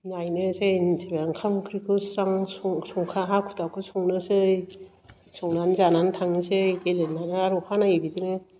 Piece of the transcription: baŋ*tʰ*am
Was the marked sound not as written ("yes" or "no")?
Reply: yes